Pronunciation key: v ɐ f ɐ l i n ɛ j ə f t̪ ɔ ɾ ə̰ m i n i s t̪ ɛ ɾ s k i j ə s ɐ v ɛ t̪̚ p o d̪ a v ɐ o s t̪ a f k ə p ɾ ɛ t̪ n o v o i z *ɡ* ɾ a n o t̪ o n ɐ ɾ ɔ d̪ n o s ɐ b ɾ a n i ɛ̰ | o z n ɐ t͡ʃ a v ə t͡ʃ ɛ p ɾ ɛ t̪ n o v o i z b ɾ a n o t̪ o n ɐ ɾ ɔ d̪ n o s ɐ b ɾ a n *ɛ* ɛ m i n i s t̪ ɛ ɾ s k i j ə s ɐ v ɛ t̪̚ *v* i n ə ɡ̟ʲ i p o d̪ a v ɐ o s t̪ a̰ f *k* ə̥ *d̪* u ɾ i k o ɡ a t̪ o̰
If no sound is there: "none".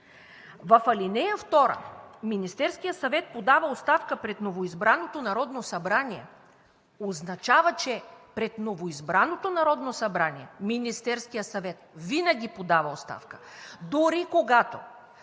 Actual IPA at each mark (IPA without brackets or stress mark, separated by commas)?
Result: b, i, v, k, d̪